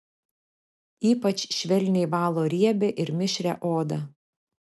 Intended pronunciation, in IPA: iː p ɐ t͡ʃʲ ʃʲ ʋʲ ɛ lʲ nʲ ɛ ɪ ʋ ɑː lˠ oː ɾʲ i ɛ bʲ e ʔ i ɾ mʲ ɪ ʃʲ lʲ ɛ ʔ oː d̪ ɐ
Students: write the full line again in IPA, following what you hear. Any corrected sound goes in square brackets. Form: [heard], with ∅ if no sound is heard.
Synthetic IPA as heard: iː p ɐ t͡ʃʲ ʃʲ ʋʲ ɛ lʲ nʲ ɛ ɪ ʋ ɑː lˠ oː ɾʲ i ɛ bʲ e ʔ [ɪ] ɾ mʲ ɪ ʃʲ [ɾʲ] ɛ ʔ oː d̪ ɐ